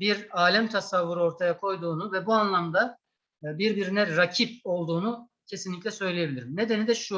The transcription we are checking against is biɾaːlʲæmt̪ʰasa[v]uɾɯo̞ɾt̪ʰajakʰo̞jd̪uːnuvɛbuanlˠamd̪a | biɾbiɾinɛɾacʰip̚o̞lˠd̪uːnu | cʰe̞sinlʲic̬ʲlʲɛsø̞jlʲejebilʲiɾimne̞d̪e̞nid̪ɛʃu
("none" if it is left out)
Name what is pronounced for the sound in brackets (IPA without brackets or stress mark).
vː